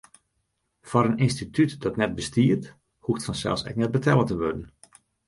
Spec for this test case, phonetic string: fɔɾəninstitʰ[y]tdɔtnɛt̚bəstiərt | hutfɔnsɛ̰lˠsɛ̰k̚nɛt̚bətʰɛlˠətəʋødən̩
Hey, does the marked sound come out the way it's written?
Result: yes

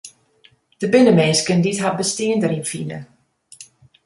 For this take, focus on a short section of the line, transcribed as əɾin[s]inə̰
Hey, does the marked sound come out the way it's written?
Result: no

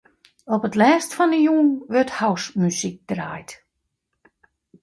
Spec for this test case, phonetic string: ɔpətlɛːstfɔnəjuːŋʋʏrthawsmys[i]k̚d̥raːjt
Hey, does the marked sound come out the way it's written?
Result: yes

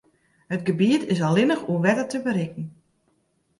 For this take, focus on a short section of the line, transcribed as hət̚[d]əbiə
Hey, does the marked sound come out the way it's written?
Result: no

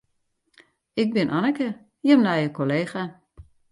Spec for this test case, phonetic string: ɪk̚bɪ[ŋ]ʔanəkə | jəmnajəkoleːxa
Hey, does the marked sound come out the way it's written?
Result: no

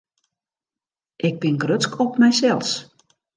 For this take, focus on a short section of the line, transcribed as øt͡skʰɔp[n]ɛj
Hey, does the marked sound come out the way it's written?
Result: no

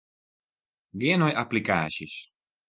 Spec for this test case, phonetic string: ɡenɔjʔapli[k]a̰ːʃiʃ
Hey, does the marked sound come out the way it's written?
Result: yes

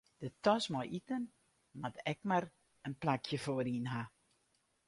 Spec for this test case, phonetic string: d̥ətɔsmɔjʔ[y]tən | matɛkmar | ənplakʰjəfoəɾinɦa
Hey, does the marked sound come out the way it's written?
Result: no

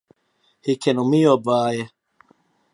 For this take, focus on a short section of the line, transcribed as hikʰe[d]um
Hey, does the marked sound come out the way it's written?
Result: no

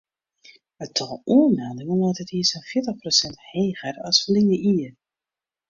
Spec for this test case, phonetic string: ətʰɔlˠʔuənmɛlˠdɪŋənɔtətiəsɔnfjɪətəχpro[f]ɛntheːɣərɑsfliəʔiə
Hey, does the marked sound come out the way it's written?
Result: no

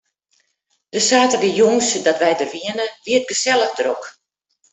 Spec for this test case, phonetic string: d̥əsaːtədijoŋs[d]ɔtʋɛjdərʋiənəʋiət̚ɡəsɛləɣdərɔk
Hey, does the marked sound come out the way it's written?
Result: yes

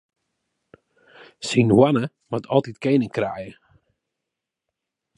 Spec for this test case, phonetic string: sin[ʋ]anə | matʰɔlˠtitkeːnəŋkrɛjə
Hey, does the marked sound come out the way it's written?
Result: no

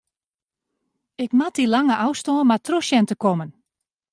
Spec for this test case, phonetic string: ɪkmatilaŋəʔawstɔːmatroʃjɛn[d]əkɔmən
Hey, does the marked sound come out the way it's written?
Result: no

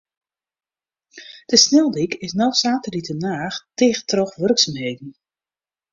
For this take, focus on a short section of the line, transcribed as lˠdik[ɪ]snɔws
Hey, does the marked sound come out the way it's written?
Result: yes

